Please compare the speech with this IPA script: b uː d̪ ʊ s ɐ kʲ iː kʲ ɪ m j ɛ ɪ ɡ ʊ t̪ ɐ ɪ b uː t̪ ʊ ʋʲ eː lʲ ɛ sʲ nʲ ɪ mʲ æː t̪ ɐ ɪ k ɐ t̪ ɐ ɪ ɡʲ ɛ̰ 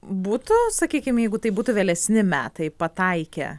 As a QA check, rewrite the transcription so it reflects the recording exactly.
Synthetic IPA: b uː t̪ ʊ s ɐ kʲ iː kʲ ɪ m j ɛ ɪ ɡ ʊ t̪ ɐ ɪ b uː t̪ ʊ ʋʲ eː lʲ ɛ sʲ nʲ ɪ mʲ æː t̪ ɐ ɪ p ɐ t̪ ɐ ɪ kʲ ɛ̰